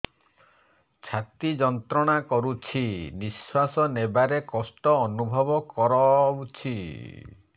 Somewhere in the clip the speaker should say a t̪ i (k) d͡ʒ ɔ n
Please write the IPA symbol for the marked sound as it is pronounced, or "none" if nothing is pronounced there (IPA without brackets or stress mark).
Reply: none